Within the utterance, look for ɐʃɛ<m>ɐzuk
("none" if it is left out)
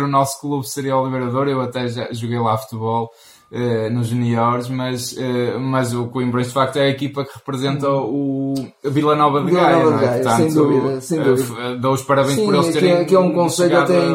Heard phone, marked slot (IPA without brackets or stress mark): m